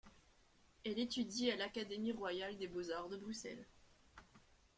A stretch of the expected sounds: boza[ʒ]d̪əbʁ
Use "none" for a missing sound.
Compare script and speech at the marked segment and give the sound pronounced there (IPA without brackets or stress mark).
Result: ʁ